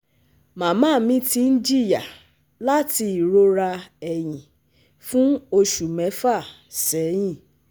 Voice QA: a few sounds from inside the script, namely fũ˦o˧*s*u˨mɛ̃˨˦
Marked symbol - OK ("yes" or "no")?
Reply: no